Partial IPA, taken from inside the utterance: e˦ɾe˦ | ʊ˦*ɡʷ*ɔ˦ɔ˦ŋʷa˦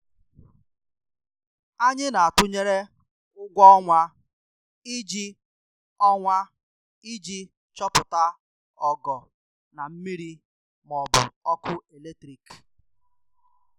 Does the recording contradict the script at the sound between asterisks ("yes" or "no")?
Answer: no